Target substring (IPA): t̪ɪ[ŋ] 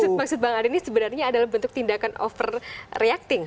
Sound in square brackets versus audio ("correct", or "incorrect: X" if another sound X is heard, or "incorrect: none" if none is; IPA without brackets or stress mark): correct